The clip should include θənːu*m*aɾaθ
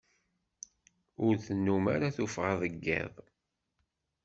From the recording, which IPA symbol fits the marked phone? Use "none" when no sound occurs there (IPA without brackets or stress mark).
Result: m